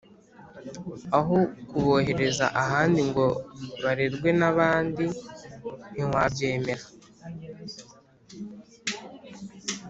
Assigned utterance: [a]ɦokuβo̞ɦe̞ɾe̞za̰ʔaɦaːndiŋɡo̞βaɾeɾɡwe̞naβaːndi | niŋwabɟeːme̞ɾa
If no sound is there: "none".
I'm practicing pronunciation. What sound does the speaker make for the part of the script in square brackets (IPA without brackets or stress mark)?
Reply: a